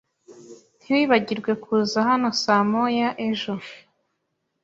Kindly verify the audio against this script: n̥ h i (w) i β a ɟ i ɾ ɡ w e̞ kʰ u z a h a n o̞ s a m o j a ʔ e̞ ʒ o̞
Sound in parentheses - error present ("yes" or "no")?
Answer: no